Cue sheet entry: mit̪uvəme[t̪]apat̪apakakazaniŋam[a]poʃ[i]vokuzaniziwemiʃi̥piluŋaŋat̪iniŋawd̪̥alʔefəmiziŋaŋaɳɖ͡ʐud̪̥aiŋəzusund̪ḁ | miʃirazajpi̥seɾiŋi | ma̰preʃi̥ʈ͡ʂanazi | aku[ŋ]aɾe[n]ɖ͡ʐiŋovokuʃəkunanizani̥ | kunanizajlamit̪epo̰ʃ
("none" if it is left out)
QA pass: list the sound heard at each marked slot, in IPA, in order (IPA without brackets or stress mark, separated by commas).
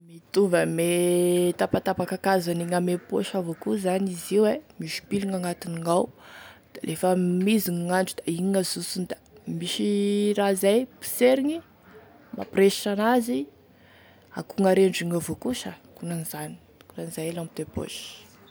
t̪, e, a, ŋ, ɳ